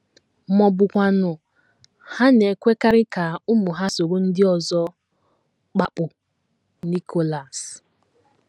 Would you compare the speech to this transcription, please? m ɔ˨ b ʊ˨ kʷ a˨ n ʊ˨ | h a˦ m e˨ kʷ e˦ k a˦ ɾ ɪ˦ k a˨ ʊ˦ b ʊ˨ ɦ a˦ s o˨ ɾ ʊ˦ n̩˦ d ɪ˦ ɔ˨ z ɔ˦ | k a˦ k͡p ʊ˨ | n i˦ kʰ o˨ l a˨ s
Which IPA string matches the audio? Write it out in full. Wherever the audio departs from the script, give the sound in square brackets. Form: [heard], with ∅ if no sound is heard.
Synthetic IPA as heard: m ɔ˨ b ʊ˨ kʷ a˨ n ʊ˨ | h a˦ [n] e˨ kʷ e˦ k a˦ ɾ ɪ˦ k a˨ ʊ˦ [m] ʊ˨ ɦ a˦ s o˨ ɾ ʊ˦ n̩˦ d ɪ˦ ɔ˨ z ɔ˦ | [k͡p] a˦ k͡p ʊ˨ | n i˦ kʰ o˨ l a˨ s